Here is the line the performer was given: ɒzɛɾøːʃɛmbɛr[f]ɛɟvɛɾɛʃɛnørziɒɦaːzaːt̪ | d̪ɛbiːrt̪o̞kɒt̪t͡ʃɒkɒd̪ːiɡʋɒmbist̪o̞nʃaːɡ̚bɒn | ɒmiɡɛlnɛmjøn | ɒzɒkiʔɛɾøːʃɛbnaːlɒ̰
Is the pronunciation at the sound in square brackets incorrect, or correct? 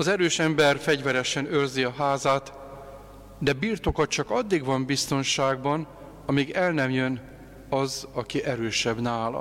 correct